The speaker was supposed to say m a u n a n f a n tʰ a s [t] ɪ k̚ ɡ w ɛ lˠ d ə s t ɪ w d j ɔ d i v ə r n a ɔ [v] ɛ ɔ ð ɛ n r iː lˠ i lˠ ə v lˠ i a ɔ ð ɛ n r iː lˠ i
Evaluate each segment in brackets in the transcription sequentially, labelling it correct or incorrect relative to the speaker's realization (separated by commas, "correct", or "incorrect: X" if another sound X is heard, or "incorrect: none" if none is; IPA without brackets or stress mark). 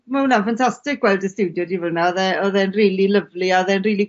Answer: correct, incorrect: ð